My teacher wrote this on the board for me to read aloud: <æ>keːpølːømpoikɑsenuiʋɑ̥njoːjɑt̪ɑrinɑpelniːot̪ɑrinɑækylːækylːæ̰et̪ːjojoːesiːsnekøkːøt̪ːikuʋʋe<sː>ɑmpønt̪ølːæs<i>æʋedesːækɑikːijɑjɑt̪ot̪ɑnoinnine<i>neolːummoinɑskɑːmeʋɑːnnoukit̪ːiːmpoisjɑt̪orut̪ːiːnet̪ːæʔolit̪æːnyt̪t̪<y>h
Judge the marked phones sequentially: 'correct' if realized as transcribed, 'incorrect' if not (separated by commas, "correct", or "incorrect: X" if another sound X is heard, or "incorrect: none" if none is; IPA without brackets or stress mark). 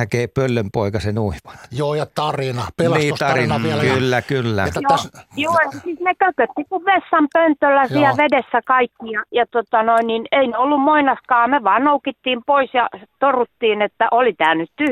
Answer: correct, correct, correct, correct, correct